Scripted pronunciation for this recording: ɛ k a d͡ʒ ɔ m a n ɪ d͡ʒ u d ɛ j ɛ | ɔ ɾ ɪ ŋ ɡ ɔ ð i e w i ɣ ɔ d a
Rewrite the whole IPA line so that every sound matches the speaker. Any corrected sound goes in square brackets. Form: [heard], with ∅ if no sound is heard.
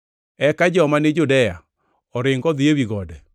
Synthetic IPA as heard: ɛ k a d͡ʒ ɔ m a n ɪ d͡ʒ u d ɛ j [a] | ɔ ɾ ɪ ŋ ɡ ɔ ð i e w i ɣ ɔ d [ɛ]